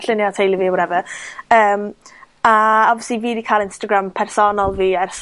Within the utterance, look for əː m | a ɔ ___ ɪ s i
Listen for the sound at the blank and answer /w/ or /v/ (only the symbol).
v